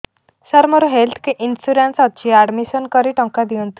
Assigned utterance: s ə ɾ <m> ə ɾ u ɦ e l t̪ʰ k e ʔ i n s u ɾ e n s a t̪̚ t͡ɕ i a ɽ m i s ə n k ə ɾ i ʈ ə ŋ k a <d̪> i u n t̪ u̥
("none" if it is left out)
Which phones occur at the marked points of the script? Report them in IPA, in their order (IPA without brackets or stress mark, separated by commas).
m, d̪